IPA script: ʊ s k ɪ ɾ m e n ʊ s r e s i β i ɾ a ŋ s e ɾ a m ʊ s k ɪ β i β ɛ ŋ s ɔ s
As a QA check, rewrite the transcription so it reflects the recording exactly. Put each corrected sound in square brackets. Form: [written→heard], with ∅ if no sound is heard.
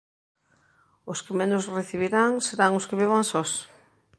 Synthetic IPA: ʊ s k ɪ [ɾ→∅] m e n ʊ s r e [s→θ] i β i ɾ a ŋ s e ɾ a [m→ŋ] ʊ s k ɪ β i β [ɛ→a] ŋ s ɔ s